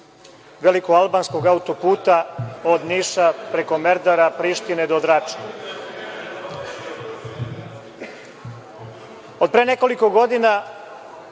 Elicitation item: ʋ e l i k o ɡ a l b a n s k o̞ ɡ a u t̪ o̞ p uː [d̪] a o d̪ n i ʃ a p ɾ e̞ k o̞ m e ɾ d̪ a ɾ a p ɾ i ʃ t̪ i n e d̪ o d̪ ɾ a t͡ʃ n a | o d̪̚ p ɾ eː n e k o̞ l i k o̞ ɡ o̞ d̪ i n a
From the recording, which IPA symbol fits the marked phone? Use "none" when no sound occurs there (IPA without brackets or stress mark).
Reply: t̪